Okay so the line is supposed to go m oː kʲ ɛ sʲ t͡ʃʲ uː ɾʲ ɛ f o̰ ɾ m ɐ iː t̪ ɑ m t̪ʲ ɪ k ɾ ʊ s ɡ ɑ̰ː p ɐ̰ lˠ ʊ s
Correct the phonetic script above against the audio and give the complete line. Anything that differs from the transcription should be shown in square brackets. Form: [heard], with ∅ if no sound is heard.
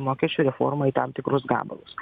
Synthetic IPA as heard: m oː kʲ ɛ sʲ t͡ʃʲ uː ɾʲ ɛ f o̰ ɾ m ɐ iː t̪ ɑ m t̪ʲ ɪ k ɾ ʊ s ɡ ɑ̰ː [b] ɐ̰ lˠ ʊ s